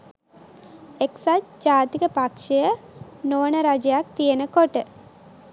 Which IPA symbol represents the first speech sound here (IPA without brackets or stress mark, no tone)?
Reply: e